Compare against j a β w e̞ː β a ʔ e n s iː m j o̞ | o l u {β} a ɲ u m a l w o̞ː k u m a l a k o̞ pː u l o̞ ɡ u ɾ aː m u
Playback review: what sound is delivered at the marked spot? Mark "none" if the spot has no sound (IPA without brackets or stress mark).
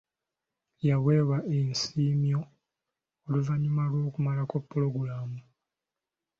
v